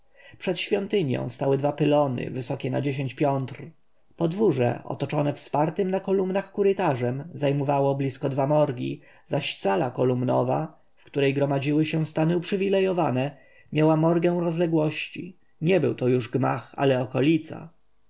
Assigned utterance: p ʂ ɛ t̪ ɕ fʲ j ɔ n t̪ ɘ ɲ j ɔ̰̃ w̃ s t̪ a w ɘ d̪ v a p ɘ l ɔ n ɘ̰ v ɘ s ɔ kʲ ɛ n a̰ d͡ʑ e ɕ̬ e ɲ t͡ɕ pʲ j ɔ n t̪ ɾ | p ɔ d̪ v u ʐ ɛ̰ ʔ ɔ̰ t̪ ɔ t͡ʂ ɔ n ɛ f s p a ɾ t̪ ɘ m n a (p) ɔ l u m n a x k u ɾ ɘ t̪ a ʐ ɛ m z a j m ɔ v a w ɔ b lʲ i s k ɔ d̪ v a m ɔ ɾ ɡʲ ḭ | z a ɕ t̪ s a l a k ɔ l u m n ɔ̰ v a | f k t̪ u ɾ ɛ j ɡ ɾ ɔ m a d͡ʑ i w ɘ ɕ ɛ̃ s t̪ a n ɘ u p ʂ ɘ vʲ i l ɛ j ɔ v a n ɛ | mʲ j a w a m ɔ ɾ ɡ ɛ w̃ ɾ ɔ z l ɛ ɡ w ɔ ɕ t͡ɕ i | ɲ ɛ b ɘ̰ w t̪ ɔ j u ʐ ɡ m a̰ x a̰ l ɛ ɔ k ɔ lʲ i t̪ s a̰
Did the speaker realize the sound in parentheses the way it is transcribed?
no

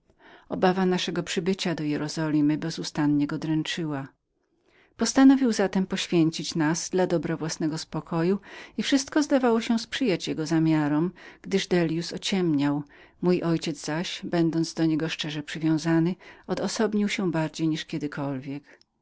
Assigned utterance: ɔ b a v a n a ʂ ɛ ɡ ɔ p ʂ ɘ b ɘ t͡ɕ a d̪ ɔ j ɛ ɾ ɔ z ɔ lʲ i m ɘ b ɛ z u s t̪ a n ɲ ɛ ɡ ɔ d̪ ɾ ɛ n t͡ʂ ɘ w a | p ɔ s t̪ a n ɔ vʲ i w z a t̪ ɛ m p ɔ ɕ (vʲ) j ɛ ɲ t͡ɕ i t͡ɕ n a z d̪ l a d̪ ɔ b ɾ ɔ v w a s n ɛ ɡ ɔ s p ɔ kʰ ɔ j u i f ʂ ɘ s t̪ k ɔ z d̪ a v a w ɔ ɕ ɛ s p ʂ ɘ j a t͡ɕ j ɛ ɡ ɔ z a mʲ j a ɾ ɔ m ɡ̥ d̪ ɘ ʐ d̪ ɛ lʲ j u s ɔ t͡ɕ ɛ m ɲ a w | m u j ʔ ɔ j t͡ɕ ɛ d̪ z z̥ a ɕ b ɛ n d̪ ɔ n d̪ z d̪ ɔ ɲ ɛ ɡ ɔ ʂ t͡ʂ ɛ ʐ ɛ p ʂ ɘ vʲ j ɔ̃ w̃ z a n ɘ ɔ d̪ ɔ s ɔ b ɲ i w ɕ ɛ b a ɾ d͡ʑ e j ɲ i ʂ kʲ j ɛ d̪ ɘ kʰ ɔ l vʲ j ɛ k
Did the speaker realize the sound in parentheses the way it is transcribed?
no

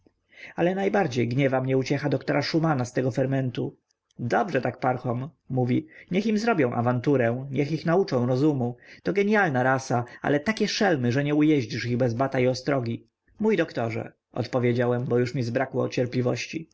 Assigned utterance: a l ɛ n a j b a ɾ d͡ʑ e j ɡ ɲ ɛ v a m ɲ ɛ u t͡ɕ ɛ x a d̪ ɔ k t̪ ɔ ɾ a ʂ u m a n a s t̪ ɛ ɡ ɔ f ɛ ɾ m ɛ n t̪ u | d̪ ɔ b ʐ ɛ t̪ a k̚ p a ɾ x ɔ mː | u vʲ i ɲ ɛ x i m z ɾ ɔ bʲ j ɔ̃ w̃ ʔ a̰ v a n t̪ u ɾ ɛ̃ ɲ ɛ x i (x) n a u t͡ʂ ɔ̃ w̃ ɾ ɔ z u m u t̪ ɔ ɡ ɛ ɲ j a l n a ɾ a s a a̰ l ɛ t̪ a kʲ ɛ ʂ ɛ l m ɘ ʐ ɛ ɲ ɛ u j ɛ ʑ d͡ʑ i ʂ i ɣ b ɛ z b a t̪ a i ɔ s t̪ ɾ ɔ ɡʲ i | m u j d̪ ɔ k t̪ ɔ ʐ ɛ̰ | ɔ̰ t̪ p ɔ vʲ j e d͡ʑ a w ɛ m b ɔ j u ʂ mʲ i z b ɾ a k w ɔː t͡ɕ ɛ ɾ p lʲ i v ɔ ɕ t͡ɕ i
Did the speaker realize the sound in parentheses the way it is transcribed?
yes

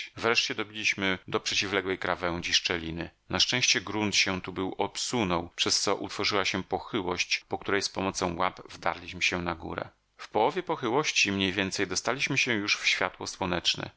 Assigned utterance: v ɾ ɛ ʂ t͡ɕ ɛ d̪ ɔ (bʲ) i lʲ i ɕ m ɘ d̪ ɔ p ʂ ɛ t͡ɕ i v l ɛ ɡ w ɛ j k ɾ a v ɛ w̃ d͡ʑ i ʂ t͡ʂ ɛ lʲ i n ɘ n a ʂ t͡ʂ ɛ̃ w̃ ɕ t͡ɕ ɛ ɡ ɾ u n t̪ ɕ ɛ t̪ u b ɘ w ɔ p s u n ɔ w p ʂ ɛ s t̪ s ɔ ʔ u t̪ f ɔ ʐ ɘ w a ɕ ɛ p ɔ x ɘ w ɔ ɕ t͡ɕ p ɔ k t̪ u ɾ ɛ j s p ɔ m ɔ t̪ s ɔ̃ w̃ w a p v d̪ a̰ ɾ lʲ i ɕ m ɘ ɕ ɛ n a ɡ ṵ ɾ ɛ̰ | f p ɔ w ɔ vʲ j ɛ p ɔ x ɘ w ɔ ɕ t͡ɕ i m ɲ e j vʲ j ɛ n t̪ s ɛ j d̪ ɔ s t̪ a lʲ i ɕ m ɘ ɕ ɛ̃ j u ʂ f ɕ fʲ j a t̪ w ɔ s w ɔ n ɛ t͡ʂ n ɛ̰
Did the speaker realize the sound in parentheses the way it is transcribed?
yes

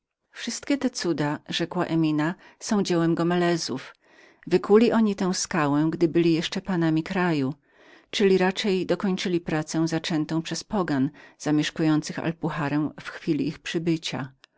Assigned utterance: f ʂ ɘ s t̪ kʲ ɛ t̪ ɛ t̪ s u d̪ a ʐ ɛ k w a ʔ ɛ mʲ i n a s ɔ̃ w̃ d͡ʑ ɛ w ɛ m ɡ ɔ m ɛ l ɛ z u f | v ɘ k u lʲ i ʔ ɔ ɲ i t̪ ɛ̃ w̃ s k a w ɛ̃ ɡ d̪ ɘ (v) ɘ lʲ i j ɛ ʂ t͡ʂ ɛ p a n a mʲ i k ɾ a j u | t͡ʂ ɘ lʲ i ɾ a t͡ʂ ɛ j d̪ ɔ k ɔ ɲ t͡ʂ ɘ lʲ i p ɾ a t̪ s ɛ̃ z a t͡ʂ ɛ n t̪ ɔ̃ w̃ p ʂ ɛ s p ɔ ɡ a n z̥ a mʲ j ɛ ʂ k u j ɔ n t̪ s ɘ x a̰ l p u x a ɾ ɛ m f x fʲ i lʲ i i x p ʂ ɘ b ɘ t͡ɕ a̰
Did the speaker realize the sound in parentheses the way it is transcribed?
no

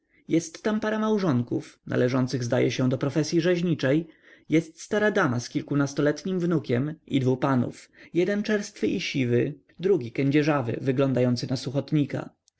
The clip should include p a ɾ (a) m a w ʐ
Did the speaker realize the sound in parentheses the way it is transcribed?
yes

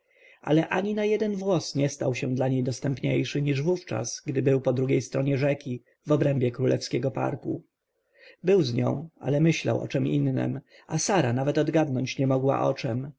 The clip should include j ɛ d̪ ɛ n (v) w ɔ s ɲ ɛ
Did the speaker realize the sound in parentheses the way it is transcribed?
yes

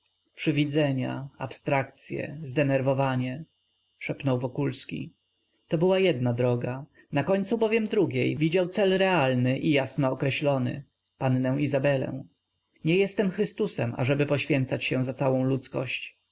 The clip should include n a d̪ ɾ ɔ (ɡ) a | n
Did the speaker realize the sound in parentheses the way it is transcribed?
yes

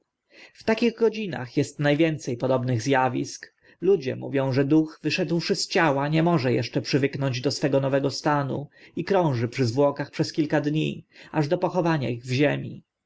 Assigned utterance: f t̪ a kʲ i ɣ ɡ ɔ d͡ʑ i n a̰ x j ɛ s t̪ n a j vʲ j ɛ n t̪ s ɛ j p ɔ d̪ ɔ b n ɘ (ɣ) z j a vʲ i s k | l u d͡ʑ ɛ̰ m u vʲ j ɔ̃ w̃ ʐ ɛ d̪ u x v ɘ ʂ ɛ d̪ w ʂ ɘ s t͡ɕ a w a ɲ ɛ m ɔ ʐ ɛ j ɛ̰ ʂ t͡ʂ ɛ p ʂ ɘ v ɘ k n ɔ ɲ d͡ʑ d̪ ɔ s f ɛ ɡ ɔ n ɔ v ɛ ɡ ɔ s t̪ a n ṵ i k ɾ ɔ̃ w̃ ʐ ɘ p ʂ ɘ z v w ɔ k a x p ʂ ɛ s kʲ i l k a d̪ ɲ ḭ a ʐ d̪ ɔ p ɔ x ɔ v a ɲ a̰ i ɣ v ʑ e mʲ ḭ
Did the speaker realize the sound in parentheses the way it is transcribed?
yes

